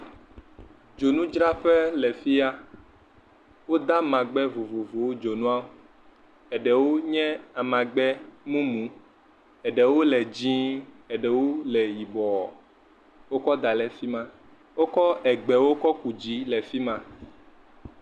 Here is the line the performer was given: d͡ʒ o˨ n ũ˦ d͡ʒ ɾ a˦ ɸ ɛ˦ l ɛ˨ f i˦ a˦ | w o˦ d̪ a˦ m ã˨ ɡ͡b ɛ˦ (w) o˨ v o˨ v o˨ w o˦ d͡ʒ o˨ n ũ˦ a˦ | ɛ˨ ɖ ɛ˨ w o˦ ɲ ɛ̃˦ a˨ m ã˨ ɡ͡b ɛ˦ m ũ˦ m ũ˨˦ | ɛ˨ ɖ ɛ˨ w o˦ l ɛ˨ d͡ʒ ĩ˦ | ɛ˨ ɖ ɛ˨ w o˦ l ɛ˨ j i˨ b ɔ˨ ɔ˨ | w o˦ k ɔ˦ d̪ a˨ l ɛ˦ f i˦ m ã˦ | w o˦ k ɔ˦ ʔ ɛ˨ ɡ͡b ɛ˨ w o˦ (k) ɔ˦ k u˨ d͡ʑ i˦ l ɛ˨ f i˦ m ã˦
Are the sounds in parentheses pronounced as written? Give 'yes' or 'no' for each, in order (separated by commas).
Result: no, yes